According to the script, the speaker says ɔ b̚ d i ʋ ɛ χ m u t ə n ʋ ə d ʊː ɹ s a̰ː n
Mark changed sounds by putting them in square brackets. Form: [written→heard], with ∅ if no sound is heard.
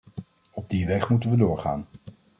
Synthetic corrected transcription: ɔ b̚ d i ʋ ɛ χ m u t ə n ʋ ə d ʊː ɹ [s→χ] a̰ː n